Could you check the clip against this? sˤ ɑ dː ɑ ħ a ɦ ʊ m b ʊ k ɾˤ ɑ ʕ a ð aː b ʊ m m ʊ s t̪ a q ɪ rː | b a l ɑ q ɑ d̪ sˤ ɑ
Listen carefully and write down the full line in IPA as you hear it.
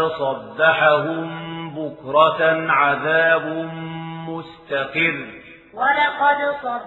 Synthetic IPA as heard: sˤ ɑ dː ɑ ħ a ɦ ʊ m b ʊ k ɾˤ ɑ ʕ a ð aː b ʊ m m ʊ s t̪ a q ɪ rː | w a l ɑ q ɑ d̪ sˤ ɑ